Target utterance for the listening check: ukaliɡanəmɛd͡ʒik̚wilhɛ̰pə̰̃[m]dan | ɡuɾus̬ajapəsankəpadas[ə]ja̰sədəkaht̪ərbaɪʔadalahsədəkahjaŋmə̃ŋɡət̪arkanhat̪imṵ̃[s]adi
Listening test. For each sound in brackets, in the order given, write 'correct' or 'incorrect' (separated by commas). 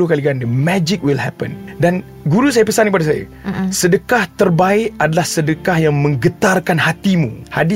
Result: incorrect, incorrect, incorrect